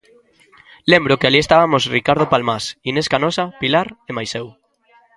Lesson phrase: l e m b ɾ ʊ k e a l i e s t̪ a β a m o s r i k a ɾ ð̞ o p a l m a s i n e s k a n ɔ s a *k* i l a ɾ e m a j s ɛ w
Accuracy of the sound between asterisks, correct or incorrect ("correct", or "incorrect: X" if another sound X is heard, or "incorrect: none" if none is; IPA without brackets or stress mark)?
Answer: incorrect: p